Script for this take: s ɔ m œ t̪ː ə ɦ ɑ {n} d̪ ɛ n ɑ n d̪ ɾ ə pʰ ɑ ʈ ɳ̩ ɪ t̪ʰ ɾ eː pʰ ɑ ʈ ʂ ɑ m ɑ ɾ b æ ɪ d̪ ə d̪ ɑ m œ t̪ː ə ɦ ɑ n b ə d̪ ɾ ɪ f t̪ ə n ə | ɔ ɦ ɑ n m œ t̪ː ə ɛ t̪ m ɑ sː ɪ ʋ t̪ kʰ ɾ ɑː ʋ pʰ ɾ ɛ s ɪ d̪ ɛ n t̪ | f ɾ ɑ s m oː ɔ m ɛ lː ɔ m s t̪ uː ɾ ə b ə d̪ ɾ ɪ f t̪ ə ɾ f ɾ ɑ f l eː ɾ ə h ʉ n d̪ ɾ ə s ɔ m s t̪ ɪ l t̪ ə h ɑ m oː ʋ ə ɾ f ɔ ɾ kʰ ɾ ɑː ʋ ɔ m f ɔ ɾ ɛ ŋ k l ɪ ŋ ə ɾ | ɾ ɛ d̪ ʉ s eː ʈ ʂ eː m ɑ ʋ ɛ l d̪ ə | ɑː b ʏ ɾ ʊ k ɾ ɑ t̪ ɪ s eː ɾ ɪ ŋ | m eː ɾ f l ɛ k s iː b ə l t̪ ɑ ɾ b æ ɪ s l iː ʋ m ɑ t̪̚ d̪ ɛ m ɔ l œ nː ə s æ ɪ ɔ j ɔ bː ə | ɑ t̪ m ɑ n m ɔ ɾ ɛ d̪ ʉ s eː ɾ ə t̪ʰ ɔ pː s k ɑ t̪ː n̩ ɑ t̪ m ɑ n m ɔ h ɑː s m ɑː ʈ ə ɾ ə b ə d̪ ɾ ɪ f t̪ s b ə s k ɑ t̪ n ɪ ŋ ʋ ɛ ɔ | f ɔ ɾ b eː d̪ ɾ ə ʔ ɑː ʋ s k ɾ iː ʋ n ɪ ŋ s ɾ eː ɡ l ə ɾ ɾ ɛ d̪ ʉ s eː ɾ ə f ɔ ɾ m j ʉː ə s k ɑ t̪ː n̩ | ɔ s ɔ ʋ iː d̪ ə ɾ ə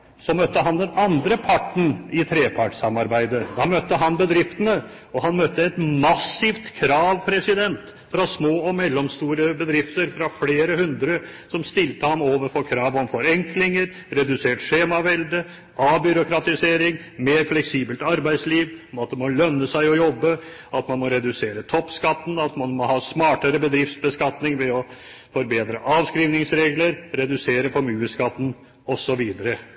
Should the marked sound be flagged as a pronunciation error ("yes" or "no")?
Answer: no